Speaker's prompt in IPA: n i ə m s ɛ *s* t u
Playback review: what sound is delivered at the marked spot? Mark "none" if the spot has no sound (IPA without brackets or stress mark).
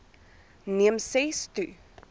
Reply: s